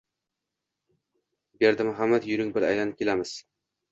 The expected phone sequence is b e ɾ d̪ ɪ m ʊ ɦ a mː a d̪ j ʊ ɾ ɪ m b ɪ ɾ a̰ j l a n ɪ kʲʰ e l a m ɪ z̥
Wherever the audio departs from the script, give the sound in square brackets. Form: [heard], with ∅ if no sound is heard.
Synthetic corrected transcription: b e ɾ d̪ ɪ m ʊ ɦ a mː a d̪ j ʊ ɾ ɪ [ŋ] b ɪ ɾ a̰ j l a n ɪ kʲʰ e l a m ɪ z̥